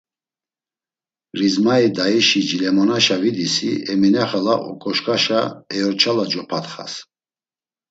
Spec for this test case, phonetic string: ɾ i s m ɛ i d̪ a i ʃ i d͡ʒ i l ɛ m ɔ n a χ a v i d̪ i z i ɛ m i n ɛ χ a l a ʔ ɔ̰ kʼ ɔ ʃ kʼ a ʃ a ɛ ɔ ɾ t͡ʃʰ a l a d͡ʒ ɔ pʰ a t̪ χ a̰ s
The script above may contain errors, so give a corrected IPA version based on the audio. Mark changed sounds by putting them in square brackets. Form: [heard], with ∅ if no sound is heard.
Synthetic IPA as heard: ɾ i [z] m [a] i d̪ a i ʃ i d͡ʒ i l ɛ m ɔ n a [ʃ] a v i d̪ i [s] i ɛ m i n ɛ χ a l a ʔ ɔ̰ kʼ ɔ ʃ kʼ a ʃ a ɛ ɔ ɾ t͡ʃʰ a l a d͡ʒ ɔ pʰ a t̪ χ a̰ s